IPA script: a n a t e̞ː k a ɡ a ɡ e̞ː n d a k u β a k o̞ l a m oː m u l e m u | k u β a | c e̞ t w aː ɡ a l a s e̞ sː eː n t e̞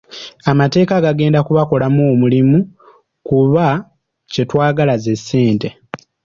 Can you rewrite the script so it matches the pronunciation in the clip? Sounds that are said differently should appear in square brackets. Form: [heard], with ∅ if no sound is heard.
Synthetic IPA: a [m] a t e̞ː k a ɡ a ɡ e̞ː n d a k u β a k o̞ l a m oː m u l [i] m u | k u β a | c e̞ t w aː ɡ a l a [z] e̞ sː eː n t e̞